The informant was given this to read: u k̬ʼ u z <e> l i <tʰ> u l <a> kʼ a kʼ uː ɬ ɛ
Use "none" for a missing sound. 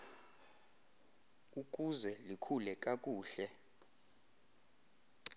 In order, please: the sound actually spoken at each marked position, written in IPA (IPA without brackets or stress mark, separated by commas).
ɛ, kʰ, ɛ